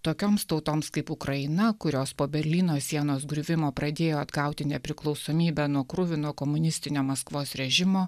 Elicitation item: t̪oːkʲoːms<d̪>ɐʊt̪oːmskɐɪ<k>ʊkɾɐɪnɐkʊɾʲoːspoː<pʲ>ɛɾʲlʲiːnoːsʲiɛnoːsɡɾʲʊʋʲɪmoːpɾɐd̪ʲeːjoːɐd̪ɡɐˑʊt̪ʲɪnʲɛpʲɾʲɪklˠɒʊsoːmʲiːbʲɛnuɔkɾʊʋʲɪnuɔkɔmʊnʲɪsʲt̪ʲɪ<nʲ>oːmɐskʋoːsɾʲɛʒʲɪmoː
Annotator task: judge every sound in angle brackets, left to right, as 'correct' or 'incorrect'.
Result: incorrect: t̪, incorrect: p, incorrect: bʲ, correct

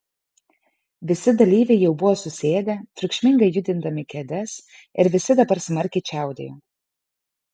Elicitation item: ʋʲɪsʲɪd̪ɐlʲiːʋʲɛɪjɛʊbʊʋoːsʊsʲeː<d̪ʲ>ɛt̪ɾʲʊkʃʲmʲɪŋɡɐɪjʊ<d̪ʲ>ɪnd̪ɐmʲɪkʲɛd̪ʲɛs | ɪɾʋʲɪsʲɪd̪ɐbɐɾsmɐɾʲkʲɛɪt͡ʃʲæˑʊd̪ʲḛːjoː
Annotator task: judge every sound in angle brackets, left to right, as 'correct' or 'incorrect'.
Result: correct, correct

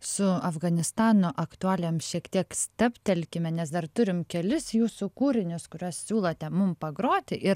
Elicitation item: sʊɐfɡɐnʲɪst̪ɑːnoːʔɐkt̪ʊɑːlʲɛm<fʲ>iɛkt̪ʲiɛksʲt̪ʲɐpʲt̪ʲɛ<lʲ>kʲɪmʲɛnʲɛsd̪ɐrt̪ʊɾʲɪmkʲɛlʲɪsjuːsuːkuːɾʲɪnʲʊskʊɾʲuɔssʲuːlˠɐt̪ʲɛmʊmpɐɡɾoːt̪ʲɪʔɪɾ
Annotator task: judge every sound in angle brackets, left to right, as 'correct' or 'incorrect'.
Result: incorrect: ʃʲ, correct

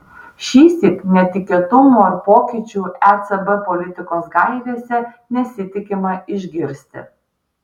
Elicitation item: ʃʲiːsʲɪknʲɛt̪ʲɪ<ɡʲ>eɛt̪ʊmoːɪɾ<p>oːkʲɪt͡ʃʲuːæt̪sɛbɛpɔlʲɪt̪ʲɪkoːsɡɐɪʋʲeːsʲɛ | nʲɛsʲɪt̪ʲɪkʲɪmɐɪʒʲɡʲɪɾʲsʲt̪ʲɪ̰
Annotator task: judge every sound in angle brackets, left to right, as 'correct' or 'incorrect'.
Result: incorrect: kʲ, correct

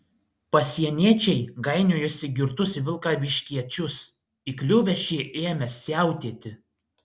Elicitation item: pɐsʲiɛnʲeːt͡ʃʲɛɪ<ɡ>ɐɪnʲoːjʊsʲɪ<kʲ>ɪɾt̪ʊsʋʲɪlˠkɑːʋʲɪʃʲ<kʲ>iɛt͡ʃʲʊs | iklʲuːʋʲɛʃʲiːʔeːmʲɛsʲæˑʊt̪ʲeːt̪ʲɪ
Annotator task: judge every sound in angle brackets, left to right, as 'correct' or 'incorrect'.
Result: correct, incorrect: ɡʲ, correct

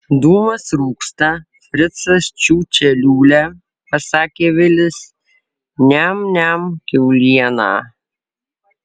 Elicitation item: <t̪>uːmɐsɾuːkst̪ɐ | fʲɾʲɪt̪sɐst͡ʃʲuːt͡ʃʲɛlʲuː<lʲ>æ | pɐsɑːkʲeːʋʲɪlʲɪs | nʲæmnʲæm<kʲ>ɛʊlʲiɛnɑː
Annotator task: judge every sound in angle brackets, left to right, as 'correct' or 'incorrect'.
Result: incorrect: d̪, correct, correct

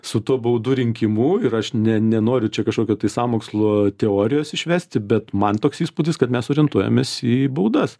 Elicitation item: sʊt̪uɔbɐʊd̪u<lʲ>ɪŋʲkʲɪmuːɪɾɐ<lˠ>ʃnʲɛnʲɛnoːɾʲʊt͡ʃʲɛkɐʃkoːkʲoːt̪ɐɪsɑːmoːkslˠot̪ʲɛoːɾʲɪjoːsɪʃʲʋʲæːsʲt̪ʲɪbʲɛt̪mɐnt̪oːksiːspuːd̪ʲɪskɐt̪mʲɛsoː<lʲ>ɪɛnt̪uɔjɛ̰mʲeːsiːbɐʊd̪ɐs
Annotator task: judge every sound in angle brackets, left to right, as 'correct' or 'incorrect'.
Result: incorrect: ɾʲ, incorrect: none, incorrect: ɾʲ

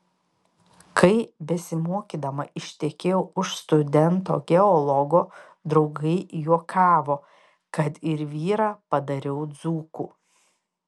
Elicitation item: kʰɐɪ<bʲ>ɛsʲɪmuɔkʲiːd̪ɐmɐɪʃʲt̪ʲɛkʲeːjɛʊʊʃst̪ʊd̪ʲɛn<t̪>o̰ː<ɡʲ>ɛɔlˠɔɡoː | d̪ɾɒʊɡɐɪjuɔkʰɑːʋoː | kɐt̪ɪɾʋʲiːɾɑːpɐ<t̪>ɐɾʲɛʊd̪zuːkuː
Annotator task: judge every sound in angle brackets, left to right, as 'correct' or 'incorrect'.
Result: correct, correct, correct, incorrect: d̪

